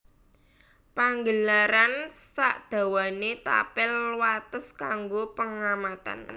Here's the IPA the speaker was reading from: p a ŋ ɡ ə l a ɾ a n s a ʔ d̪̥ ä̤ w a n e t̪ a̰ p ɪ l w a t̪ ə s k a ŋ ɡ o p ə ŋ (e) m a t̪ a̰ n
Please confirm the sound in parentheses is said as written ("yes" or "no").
no